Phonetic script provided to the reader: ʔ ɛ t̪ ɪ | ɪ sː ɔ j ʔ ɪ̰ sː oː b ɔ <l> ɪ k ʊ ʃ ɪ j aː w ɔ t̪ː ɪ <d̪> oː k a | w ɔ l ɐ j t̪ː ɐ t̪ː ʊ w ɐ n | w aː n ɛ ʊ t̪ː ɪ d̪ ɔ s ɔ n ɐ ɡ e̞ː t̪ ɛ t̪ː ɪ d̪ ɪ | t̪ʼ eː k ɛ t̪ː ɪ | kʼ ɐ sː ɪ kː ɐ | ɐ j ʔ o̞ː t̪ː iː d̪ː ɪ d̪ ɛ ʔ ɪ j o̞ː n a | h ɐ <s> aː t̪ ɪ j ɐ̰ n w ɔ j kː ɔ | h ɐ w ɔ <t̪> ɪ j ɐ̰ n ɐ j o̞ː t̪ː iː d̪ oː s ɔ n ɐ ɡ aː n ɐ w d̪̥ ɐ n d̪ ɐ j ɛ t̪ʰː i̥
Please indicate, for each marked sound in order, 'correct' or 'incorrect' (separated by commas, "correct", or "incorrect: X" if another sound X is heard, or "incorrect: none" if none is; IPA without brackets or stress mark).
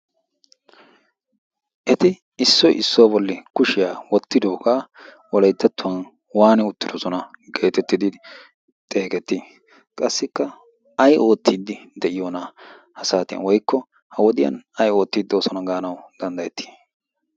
incorrect: lː, correct, correct, incorrect: d̪